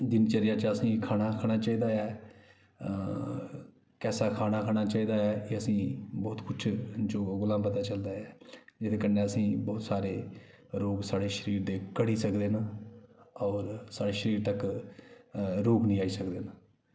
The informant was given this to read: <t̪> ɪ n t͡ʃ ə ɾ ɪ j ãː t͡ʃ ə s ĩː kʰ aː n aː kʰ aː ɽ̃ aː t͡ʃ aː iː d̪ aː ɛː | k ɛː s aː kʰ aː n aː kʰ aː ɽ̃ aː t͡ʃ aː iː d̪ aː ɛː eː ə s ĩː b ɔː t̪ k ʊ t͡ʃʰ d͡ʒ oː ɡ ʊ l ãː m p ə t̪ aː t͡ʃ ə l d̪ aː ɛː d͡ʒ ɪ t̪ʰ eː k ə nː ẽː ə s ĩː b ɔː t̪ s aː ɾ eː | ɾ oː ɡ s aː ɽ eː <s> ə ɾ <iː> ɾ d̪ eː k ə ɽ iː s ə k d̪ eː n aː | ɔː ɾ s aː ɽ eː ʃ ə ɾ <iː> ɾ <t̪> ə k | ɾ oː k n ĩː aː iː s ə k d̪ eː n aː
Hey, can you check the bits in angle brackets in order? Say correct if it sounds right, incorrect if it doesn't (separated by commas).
incorrect, incorrect, correct, correct, correct